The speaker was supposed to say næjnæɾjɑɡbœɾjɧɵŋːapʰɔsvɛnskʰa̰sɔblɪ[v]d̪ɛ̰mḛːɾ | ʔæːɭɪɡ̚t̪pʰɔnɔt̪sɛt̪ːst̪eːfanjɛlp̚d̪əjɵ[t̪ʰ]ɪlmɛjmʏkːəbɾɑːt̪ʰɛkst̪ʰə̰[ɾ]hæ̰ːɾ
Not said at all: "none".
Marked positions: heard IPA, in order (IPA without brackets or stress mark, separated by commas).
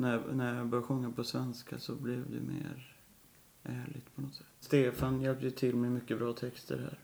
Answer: v, t̪ʰ, ɾ